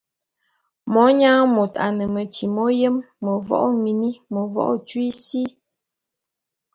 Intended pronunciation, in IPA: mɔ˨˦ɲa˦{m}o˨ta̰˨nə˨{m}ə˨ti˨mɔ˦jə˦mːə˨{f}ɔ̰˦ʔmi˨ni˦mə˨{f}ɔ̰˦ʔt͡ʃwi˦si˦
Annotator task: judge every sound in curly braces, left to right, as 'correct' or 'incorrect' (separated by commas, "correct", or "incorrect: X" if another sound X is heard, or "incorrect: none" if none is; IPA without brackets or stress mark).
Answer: correct, correct, incorrect: v, incorrect: v